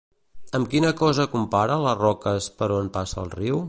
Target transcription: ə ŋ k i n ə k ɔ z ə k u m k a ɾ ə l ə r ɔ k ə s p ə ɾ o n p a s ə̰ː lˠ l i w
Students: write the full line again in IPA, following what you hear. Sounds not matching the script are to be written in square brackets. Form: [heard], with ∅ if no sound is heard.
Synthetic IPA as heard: ə [m] k i n ə k ɔ z ə k u m [p] a ɾ ə l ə r ɔ k ə s p ə ɾ o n p a s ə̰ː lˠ [r] i w